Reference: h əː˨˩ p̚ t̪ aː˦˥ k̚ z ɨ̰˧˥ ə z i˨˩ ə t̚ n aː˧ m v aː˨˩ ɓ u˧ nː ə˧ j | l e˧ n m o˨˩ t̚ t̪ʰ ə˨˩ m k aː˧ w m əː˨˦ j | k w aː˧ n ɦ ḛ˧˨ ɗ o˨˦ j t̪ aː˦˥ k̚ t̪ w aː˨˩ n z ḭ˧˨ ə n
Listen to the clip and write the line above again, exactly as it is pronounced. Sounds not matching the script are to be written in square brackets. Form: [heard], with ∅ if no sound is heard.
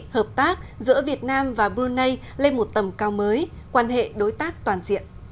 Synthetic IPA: h əː˨˩ p̚ t̪ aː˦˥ k̚ z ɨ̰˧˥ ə [v] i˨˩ ə t̚ n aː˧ m v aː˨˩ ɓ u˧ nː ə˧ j | l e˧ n m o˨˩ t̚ [t̪] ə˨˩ m k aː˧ w m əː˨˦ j | k w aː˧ n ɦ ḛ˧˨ ɗ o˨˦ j t̪ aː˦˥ k̚ t̪ w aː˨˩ n z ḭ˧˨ ə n